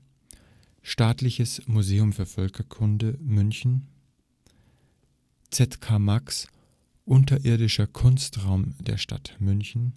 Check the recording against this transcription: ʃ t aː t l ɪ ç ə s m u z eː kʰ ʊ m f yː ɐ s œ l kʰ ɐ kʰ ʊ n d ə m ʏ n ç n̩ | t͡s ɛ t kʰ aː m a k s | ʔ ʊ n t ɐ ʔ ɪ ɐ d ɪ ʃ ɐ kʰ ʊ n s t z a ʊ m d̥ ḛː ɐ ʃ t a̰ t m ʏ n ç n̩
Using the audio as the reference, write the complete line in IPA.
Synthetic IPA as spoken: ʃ t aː t l ɪ ç ə s m u z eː ʊ m f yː ɐ f œ l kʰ ɐ kʰ ʊ n d ə m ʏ n ç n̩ | t͡s ɛ t kʰ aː m a k s | ʔ ʊ n t ɐ ʔ ɪ ɐ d ɪ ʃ ɐ kʰ ʊ n s t ʁ a ʊ m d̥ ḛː ɐ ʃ t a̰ t m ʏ n ç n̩

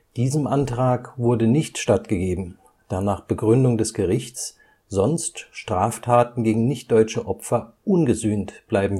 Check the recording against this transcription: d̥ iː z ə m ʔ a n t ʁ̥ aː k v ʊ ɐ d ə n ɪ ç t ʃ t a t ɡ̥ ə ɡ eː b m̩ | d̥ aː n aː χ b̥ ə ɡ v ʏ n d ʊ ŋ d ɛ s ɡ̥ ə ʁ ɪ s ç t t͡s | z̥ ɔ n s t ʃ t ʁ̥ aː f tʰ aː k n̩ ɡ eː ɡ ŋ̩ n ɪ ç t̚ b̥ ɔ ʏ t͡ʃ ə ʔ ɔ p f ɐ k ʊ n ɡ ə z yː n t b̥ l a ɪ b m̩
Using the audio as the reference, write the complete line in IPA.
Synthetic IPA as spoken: d̥ iː z ə m ʔ a n t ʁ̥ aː k v ʊ ɐ d ə n ɪ ç t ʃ t a t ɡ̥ ə ɡ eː b m̩ | d̥ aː n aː χ b̥ ə ɡ ʁ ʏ n d ʊ ŋ d ɛ s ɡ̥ ə ʁ ɪ ç t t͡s | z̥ ɔ n s t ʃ t ʁ̥ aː f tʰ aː t n̩ ɡ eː ɡ ŋ̩ n ɪ ç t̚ d̥ ɔ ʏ t͡ʃ ə ʔ ɔ p f ɐ ʔ ʊ n ɡ ə z yː n t b̥ l a ɪ b m̩

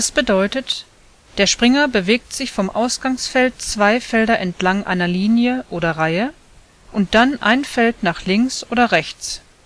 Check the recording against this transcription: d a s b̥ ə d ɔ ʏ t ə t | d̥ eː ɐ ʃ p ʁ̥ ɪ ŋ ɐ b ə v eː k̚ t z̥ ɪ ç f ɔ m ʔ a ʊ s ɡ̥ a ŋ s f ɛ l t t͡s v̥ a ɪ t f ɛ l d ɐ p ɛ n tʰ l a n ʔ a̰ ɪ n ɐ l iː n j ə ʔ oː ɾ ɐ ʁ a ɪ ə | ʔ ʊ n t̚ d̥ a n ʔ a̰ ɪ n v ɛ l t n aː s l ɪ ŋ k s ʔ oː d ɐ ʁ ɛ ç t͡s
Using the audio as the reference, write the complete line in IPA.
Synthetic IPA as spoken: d a s b̥ ə d ɔ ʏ t ə t | d̥ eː ɐ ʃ p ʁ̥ ɪ ŋ ɐ b ə v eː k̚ t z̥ ɪ ç f ɔ m ʔ a ʊ s ɡ̥ a ŋ s f ɛ l t t͡s v̥ a ɪ f ɛ l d ɐ ʔ ɛ n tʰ l a ŋ ʔ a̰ ɪ n ɐ l iː n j ə ʔ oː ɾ ɐ ʁ a ɪ ə | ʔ ʊ n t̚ d̥ a n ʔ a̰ ɪ n f ɛ l t n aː χ l ɪ ŋ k s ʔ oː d ɐ ʁ ɛ ç t͡s

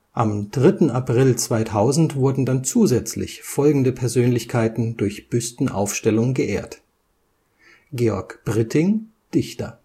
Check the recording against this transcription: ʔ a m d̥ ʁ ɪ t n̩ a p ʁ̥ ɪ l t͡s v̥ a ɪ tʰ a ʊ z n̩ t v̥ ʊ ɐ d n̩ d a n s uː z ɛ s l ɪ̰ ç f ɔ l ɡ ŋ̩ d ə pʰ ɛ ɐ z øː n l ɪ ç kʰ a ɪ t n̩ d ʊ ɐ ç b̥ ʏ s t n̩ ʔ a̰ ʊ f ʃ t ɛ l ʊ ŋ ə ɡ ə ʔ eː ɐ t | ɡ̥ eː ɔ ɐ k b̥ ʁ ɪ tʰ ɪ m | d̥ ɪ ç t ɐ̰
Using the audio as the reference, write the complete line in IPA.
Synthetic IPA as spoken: ʔ a m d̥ ʁ ɪ t n̩ a p ʁ̥ ɪ l t͡s v̥ a ɪ tʰ a ʊ z n̩ t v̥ ʊ ɐ d n̩ d a n t͡s uː z ɛ t͡s l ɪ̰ ç f ɔ l ɡ ŋ̩ d ə pʰ ɛ ɐ z øː n l ɪ ç kʰ a ɪ t n̩ d ʊ ɐ ç b̥ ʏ s t n̩ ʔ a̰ ʊ f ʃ t ɛ l ʊ ŋ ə ɡ ə ʔ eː ɐ t | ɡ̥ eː ɔ ɐ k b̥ ʁ ɪ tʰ ɪ ŋ | d̥ ɪ ç t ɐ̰

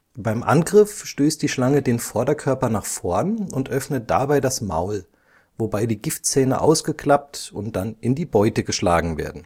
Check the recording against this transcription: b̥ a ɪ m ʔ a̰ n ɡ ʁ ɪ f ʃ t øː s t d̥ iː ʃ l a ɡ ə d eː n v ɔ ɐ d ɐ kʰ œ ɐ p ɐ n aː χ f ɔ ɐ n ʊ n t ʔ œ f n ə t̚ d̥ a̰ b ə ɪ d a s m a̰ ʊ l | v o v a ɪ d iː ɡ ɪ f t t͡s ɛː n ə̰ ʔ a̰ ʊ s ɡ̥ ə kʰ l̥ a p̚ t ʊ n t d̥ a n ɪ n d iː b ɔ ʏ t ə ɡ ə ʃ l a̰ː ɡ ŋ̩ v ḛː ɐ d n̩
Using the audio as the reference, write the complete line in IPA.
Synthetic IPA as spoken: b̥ a ɪ m ʔ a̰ n ɡ ʁ ɪ f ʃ t øː s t d̥ iː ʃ l a ŋ ə d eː n f ɔ ɐ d ɐ kʰ œ ɐ p ɐ n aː χ f ɔ ɐ n ʊ n t ʔ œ f n ə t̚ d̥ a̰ b a ɪ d a s m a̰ ʊ l | v o b a ɪ d iː ɡ ɪ f t t͡s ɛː n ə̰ ʔ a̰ ʊ s ɡ̥ ə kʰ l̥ a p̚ t ʊ n t d̥ a n ɪ n d iː b ɔ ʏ t ə ɡ ə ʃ l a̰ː ɡ ŋ̩ v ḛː ɐ d n̩

